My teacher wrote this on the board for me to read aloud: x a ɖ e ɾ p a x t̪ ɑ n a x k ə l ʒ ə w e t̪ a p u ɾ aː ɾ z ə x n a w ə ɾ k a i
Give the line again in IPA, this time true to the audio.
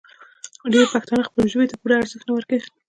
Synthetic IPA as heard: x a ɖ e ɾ p a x t̪ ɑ n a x p ə l ʒ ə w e t̪ a p u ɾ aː ɾ z ə x n a w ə ɾ k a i